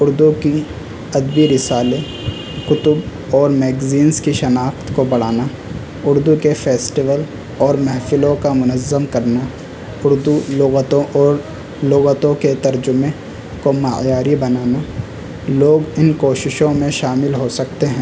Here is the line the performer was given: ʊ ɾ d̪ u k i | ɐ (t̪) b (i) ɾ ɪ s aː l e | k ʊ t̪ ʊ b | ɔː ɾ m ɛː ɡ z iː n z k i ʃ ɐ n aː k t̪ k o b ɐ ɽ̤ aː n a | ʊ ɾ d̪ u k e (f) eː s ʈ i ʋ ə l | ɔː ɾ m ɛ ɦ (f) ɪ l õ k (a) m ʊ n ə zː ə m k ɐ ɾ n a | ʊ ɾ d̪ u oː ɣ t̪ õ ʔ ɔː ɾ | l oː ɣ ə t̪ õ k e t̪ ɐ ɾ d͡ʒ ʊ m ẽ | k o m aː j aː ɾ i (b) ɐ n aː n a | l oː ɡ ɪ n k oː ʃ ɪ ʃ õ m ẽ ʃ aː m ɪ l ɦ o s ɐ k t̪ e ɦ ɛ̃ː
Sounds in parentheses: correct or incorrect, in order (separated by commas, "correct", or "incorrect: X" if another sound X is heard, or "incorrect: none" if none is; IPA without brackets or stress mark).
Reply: incorrect: d̪, correct, correct, correct, correct, correct